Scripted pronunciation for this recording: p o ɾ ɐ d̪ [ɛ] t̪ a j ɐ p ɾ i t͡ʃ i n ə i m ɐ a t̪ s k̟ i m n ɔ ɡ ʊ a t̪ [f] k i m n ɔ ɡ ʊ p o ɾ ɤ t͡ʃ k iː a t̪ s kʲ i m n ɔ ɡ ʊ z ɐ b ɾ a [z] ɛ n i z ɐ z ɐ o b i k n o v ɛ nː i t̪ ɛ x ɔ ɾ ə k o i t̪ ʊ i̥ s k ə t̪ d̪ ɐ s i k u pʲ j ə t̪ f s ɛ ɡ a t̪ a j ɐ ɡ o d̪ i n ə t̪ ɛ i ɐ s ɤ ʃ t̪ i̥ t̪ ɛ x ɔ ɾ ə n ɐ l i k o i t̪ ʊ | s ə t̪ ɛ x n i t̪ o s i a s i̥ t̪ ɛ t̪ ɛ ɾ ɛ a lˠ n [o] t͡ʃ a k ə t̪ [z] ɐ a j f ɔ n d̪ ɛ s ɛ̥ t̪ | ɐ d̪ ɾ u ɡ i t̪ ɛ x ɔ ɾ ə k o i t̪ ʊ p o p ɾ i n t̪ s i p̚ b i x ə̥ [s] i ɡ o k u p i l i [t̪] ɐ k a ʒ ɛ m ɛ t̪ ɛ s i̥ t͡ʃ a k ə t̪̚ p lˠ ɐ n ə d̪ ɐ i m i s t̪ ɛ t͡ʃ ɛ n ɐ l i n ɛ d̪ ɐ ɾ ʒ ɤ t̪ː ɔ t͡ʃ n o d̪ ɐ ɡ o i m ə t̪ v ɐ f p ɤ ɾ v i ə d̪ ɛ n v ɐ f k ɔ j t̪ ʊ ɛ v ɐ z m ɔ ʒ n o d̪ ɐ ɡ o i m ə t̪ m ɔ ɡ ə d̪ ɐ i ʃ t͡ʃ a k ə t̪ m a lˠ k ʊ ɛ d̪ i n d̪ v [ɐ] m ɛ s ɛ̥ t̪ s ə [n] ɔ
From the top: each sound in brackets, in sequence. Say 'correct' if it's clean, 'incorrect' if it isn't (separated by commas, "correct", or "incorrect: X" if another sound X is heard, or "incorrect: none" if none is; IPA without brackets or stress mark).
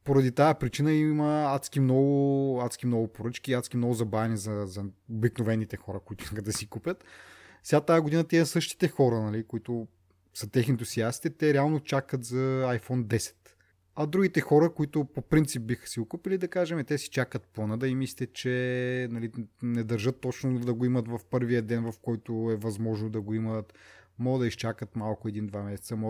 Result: incorrect: i, incorrect: s, incorrect: v, correct, correct, correct, incorrect: d̪, incorrect: a, incorrect: m